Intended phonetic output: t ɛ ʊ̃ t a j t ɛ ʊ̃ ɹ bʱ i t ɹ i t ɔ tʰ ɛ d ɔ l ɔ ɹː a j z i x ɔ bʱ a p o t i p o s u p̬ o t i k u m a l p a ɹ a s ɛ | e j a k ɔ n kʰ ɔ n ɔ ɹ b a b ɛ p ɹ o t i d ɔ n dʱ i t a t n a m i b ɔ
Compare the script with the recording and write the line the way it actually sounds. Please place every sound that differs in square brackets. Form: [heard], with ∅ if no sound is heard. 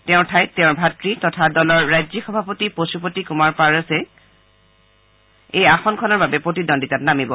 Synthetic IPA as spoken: t ɛ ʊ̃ [tʰ] a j t ɛ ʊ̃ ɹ bʱ [a] t ɹ i t ɔ tʰ [a] d ɔ l ɔ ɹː a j z i x ɔ bʱ a p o t i p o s u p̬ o t i k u m a [ɹ] p a ɹ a s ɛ | e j a [x] ɔ n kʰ ɔ n ɔ ɹ b a b ɛ p ɹ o t i d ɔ n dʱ i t a t n a m i b ɔ